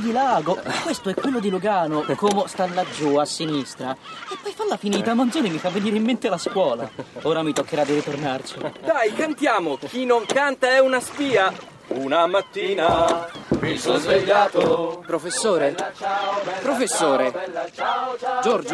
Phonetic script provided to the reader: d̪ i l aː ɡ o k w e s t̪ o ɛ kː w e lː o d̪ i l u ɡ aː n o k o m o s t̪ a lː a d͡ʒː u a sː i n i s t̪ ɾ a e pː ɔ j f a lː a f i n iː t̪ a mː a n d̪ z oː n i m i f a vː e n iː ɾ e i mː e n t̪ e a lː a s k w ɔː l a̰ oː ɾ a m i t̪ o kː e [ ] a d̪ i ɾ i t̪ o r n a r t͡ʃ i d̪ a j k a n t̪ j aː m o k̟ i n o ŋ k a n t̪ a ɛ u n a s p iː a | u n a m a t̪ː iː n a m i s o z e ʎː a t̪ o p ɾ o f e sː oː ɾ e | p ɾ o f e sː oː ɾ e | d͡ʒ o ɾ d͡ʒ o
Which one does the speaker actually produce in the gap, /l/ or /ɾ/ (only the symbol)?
ɾ